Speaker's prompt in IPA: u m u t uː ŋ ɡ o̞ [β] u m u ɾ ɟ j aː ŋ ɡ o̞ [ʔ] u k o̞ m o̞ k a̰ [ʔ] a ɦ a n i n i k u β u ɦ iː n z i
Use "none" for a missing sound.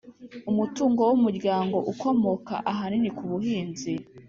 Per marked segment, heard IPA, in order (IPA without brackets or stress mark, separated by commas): w, ʔ, ʔ